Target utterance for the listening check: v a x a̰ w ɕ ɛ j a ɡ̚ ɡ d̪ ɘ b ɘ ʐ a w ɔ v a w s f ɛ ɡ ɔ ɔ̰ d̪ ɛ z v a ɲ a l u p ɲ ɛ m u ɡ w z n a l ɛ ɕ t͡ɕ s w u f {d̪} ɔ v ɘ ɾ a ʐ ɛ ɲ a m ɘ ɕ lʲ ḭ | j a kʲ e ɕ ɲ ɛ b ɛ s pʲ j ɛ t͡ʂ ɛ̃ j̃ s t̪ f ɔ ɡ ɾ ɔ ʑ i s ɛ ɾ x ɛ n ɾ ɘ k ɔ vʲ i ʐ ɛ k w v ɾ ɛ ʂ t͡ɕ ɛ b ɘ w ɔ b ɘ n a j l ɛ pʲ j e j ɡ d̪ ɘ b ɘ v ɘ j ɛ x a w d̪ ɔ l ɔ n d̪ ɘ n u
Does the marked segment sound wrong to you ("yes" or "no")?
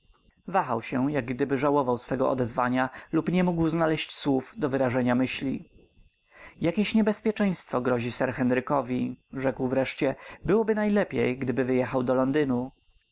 no